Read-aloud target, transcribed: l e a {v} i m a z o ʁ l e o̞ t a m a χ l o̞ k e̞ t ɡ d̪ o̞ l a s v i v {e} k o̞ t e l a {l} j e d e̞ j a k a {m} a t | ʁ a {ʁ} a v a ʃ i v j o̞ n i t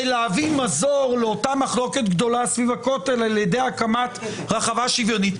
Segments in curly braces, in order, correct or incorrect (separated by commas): correct, incorrect, correct, correct, incorrect